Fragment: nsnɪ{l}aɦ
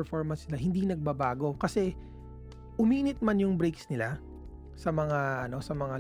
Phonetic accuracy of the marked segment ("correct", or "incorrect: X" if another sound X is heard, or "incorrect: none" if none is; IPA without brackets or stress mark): correct